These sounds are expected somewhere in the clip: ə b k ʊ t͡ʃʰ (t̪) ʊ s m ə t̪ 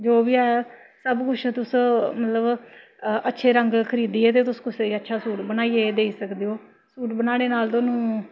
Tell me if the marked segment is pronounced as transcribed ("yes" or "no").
yes